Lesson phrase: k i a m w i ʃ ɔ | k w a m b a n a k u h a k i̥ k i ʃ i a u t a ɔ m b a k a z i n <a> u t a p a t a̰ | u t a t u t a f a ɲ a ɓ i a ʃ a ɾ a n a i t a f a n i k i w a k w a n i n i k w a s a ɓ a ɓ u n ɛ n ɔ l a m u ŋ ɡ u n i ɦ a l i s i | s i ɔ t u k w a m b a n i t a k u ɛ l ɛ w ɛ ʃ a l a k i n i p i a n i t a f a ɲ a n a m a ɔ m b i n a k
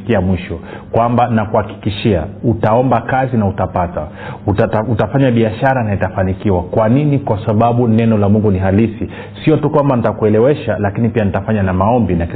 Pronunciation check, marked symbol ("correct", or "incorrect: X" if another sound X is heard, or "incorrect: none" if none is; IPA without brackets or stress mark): correct